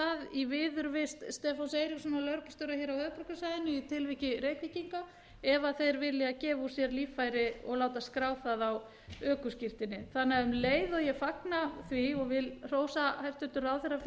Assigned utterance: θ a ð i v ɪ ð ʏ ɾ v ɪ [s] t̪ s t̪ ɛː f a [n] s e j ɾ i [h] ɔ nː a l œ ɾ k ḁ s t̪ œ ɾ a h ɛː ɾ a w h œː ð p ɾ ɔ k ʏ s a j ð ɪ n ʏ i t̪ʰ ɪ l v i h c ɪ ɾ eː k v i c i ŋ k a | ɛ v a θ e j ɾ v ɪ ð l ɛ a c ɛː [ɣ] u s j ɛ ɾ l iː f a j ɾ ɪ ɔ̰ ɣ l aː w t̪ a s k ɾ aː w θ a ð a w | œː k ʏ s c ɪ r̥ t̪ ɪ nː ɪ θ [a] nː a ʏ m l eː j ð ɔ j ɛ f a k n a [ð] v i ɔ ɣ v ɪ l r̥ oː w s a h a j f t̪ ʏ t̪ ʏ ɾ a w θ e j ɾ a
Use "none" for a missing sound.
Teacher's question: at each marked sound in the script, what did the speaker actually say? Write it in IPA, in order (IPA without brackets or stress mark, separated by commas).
s, n, s, v, a, θ